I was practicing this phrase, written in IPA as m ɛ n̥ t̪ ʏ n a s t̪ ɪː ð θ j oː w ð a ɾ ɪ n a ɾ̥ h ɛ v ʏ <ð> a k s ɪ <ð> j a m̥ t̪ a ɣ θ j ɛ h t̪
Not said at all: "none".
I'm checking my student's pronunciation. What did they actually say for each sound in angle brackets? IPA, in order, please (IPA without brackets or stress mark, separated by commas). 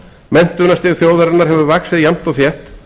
v, ð